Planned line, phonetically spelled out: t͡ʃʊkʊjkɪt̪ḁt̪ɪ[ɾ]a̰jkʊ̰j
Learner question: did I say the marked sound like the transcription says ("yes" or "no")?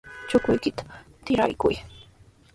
yes